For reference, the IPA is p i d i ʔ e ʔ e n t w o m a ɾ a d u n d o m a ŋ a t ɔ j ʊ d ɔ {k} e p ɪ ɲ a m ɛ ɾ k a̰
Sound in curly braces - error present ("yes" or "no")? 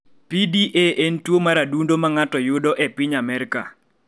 yes